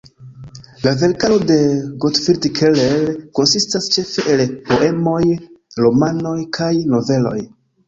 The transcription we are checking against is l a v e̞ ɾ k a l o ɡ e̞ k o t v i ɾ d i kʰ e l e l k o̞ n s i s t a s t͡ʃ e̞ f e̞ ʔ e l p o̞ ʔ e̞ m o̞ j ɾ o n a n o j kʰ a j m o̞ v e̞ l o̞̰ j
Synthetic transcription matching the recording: l a v e̞ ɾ k a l o d e̞ ɡ o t f i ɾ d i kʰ e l e l k o̞ n s i s t a s t͡ʃ e̞ f e̞ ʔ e l p o̞ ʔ e̞ m o̞ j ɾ o m a n o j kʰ a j n o̞ v e̞ l o̞̰ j